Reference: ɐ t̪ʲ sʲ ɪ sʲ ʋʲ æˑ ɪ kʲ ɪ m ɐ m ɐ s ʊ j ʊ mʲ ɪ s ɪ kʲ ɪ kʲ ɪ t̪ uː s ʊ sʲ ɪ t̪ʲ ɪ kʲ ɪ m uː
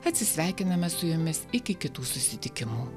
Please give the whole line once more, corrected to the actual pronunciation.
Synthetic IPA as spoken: ɐ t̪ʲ sʲ ɪ sʲ ʋʲ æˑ ɪ kʲ ɪ n ɐ m ɐ s ʊ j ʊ mʲ ɪ s ɪ kʲ ɪ kʲ ɪ t̪ uː s ʊ sʲ ɪ t̪ʲ ɪ kʲ ɪ m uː

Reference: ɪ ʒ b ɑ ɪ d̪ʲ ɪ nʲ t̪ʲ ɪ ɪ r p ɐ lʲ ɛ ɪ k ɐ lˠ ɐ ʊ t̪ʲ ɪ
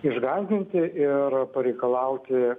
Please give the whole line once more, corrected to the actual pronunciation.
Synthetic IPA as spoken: ɪ ʒ ɡ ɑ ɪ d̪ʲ ɪ nʲ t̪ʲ ɪ ɪ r p ɐ ɾʲ ɛ ɪ k ɐ lˠ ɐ ʊ t̪ʲ ɪ

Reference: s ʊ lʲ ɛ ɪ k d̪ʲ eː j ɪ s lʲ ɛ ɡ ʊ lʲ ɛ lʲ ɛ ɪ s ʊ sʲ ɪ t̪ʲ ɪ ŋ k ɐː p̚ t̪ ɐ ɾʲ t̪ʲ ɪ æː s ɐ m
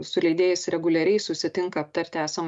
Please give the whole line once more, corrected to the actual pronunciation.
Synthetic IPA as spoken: s ʊ lʲ ɛ ɪ d̪ʲ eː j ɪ s ɾʲ ɛ ɡ ʊ lʲ ɛ ɾʲ ɛ ɪ s ʊ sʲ ɪ t̪ʲ ɪ ŋ k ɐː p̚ t̪ ɐ ɾʲ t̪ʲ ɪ æː s ɐ m

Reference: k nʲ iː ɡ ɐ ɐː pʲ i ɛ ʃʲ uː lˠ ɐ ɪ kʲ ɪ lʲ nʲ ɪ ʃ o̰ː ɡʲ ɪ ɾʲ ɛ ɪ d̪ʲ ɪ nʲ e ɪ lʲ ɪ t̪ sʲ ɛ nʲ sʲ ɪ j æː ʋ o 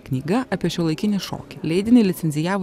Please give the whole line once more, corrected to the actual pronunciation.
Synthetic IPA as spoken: k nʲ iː ɡ ɐ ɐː pʲ i ɛ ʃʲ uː lˠ ɐ ɪ kʲ ɪ nʲ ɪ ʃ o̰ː kʲ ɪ lʲ ɛ ɪ d̪ʲ ɪ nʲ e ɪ lʲ ɪ t̪ sʲ ɛ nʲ zʲ ɪ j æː ʋ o

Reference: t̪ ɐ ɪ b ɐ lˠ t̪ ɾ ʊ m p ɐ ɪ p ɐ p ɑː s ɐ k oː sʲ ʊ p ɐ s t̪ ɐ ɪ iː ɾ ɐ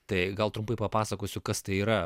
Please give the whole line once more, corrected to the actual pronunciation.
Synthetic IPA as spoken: t̪ ɐ ɪ ɡ ɐ lˠ t̪ ɾ ʊ m p ɐ ɪ p ɐ p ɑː s ɐ k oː sʲ ʊ k ɐ s t̪ ɐ ɪ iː ɾ ɐ

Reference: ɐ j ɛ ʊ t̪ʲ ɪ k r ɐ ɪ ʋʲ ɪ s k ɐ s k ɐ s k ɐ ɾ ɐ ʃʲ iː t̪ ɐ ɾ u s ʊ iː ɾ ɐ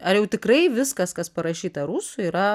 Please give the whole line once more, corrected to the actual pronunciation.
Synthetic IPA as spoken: ɐ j ɛ ʊ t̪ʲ ɪ k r ɐ ɪ ʋʲ ɪ s k ɐ s k ɐ s p ɐ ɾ ɐ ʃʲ iː t̪ ɐ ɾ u s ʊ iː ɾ ɐ

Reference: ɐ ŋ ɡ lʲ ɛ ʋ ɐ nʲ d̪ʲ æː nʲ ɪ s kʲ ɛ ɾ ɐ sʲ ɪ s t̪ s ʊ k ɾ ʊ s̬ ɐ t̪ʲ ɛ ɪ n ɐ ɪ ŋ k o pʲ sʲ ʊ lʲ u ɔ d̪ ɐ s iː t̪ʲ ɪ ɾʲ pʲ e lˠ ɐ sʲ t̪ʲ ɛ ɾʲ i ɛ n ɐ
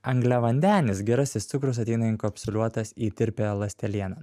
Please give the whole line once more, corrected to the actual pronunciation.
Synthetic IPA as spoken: ɐ ŋ ɡ lʲ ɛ ʋ ɐ nʲ d̪ʲ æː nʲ ɪ s ɡʲ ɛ ɾ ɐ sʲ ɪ s t̪ s ʊ k ɾ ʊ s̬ ɐ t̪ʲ ɛ ɪ n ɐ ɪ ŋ k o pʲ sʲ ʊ lʲ u ɔ t̪ ɐ s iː t̪ʲ ɪ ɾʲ pʲ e lˠ ɐ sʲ t̪ʲ ɛ lʲ i ɛ n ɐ

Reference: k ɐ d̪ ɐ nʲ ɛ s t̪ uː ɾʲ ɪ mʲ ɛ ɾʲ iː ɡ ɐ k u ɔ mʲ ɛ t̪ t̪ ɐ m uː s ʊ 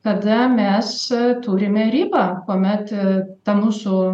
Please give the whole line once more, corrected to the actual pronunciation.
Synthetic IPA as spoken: k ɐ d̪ ɐ mʲ ɛ s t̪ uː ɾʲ ɪ mʲ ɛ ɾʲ iː b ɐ k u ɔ mʲ ɛ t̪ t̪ ɐ m uː s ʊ

